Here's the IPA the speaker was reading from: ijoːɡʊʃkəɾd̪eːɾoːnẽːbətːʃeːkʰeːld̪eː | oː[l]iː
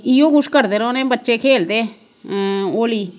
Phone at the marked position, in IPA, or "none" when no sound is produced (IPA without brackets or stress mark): l